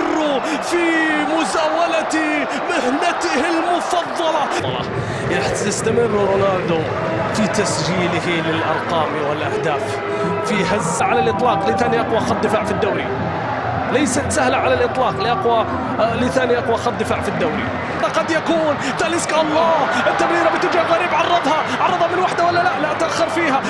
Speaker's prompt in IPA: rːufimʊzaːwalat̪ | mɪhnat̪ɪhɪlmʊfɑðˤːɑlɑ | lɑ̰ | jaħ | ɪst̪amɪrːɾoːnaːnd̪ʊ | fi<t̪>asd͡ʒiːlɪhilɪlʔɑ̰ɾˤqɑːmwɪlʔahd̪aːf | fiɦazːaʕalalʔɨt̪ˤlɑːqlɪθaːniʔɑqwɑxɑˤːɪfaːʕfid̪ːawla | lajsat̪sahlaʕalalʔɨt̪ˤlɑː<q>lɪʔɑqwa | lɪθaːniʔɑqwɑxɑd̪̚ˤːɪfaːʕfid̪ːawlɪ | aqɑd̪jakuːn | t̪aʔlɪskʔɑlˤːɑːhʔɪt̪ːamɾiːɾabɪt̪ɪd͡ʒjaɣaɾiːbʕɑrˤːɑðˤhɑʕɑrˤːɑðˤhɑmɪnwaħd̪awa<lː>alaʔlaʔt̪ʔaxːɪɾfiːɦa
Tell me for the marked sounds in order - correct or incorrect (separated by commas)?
correct, correct, correct